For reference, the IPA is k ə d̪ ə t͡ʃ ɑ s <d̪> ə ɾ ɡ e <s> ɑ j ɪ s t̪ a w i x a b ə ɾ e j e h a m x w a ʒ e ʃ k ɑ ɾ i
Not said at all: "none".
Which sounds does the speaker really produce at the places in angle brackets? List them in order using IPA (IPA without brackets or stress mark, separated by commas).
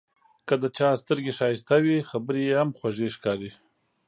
t̪, ʃ